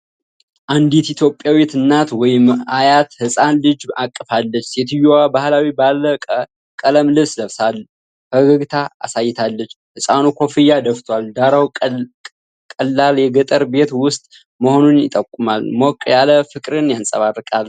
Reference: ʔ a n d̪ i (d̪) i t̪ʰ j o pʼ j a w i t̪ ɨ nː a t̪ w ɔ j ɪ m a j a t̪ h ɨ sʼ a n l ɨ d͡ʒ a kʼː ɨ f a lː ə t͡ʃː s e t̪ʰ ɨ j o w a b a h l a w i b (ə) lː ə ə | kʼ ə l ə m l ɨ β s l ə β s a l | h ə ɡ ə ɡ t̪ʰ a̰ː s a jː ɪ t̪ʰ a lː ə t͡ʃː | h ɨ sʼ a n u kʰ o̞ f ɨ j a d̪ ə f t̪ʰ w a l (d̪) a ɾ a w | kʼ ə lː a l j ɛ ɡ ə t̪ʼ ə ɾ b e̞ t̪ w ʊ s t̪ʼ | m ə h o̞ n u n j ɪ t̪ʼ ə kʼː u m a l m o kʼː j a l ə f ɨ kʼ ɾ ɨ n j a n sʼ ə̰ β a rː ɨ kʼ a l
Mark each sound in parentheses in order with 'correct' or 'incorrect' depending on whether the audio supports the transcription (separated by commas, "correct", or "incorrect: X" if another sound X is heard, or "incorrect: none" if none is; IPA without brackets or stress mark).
incorrect: t̪, incorrect: a, correct